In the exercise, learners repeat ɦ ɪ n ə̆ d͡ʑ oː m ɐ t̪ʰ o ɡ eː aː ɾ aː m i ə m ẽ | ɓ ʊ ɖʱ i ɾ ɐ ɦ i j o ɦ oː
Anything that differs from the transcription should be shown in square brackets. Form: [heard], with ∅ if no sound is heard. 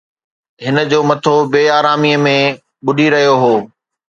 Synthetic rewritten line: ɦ ɪ n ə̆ d͡ʑ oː m ɐ t̪ʰ o [b] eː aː ɾ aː m i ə m ẽ | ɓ ʊ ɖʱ i ɾ ɐ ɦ i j o ɦ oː